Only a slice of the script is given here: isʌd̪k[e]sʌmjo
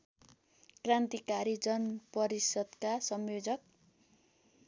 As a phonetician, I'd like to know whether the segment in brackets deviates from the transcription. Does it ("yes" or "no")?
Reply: yes